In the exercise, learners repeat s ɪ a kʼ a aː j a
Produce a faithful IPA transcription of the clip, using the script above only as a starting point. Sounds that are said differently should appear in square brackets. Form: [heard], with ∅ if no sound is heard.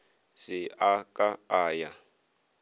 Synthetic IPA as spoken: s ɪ a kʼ a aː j a

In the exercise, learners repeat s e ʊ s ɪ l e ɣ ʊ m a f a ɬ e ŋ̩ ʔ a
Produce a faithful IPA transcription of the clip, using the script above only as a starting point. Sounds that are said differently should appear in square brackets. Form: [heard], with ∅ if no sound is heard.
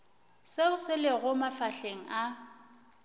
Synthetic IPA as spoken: s e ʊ s ɪ l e ɣ ʊ m a f a ɬ e ŋ̩ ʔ a

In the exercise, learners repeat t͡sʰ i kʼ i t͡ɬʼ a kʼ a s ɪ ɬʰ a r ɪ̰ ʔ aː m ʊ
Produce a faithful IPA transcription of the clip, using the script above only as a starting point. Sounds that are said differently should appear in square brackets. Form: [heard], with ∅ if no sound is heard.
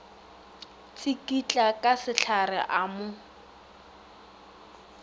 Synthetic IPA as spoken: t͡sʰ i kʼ i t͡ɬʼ a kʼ a s ɪ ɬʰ a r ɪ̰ ʔ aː m ʊ

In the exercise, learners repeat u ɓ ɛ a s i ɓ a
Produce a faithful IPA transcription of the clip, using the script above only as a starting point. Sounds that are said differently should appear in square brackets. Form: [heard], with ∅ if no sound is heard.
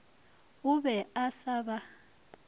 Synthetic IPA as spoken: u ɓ ɛ a s [a] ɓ a

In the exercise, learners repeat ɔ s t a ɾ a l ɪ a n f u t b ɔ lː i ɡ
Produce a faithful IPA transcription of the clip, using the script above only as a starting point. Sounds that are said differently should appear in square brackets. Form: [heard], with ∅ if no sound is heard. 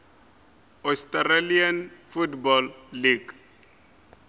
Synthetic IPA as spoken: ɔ s t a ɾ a l [i] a n f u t b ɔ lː i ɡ

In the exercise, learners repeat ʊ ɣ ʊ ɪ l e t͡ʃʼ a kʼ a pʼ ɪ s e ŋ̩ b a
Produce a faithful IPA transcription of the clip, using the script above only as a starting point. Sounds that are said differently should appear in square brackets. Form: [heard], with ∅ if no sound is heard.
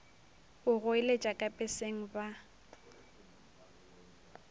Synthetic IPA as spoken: ʊ ɣ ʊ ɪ l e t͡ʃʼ a kʼ a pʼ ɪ s e ŋ̩ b a

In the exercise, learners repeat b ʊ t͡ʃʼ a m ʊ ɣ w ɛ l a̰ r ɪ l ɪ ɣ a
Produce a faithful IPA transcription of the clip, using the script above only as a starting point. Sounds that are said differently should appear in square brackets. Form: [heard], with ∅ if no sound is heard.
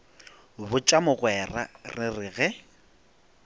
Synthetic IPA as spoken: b ʊ t͡ʃʼ a m ʊ ɣ w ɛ [r] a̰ r ɪ [r] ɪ ɣ [ɛ]

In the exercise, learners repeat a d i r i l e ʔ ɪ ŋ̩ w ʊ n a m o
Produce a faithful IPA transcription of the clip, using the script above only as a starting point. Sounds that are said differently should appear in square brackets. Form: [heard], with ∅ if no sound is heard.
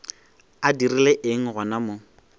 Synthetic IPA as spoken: a d i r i l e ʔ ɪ ŋ̩ [ɣ] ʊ n a m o

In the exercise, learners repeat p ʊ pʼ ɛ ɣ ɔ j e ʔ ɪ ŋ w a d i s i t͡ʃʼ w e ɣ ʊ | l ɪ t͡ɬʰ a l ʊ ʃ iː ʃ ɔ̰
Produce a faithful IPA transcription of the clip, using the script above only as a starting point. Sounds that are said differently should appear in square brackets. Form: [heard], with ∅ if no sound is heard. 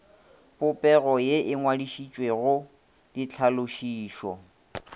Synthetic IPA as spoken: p ʊ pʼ ɛ ɣ ɔ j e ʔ ɪ ŋ w a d i [ʃ] i t͡ʃʼ w e ɣ ʊ | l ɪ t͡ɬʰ a l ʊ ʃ iː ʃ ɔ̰

